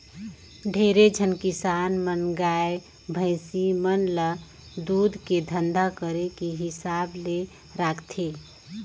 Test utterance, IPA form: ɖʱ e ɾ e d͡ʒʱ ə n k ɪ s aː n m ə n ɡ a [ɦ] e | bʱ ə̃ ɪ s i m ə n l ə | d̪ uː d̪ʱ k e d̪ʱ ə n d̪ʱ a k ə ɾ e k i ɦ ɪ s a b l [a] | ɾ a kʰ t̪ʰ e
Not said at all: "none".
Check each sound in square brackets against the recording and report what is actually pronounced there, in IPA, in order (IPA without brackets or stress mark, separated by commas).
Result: none, e